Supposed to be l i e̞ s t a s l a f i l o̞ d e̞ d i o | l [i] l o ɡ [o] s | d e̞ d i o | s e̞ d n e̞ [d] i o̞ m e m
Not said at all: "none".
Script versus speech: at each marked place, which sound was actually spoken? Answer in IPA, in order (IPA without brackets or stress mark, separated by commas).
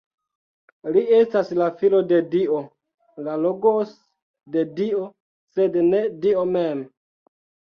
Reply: a, o, d